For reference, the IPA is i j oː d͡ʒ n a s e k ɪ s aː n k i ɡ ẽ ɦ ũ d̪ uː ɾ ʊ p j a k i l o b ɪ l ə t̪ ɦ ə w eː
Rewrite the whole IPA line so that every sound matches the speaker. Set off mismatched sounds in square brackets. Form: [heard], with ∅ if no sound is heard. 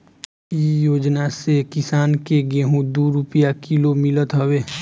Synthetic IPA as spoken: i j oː d͡ʒ n a s e k ɪ s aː n k [e] ɡ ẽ ɦ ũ d̪ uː ɾ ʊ p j a k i l o [m] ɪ l ə t̪ ɦ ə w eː